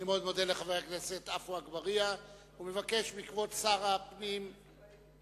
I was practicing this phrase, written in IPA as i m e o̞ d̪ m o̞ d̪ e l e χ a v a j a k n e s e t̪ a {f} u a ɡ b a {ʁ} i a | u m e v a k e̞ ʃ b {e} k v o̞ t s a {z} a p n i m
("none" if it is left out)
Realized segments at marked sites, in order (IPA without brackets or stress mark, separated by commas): f, ʁ, i, ʁ